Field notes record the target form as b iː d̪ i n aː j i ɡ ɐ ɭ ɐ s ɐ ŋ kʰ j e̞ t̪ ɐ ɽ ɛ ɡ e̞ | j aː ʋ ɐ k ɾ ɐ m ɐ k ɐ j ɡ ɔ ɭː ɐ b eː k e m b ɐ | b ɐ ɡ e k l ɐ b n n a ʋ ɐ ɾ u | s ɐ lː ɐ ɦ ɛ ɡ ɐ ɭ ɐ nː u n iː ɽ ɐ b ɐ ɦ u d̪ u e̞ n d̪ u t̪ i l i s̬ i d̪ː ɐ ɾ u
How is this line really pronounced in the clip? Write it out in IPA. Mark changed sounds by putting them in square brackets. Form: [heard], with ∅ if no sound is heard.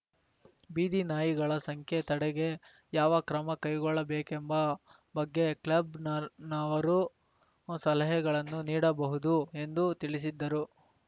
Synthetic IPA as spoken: b iː d̪ i n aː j i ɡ ɐ ɭ ɐ s ɐ ŋ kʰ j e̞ t̪ ɐ ɽ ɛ ɡ e̞ | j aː ʋ ɐ k ɾ ɐ m ɐ k ɐ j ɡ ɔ ɭː ɐ b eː k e m b ɐ | b ɐ [ɡː] e k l ɐ b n n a ʋ ɐ ɾ u | s ɐ [l] ɐ ɦ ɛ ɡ ɐ ɭ ɐ nː u n iː ɽ ɐ b ɐ ɦ u d̪ u e̞ n d̪ u t̪ i [ɭ] i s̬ i d̪ː ɐ ɾ u